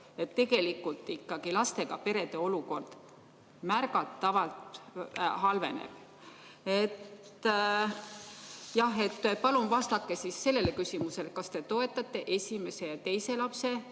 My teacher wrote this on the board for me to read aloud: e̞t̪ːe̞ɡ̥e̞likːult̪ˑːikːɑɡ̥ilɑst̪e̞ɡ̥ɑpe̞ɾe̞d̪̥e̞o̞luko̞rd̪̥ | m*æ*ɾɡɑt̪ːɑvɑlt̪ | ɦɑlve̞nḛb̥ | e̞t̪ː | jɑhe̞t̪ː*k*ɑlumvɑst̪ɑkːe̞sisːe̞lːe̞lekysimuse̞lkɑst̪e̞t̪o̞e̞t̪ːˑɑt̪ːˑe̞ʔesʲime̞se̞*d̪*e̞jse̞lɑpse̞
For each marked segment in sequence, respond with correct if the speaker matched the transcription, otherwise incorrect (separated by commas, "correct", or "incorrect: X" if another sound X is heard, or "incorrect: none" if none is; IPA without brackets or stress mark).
correct, incorrect: p, incorrect: t̪